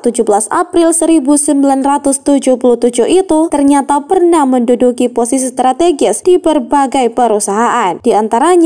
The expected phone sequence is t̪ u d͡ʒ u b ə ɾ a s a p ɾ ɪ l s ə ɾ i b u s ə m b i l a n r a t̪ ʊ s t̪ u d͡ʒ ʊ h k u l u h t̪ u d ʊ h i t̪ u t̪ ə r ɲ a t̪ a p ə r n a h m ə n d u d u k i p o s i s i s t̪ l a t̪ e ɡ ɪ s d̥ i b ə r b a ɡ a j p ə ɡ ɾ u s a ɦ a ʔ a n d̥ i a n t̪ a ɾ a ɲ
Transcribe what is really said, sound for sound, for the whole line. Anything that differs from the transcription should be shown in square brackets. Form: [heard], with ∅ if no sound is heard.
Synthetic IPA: t̪ u d͡ʒ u b ə [l] a s a p ɾ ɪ l s ə ɾ i b u s ə m b i l a n r a t̪ ʊ s t̪ u d͡ʒ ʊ h [p] u l u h t̪ u [d͡ʒ] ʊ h i t̪ u t̪ ə r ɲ a t̪ a p ə r n a h m ə n d u d u k i p o s i s i s t̪ [ɾ] a t̪ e ɡ ɪ s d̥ i b ə r b a ɡ a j p ə [∅] ɾ u s a ɦ a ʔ a n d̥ i a n t̪ a ɾ a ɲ